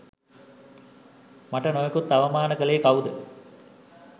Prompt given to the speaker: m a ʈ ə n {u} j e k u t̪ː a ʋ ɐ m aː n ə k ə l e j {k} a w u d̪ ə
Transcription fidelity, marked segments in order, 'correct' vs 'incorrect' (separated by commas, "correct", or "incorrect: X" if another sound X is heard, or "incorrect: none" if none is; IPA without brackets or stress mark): incorrect: o, correct